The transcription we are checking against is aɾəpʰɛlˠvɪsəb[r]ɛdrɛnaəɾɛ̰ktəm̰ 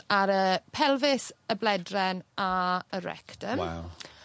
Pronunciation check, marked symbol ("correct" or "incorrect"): incorrect